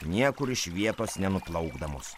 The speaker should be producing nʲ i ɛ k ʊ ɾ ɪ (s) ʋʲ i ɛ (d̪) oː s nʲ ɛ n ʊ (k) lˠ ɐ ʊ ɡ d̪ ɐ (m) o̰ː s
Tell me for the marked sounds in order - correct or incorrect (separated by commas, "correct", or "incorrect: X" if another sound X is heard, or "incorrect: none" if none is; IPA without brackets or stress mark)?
incorrect: ʃ, incorrect: t̪, incorrect: p, correct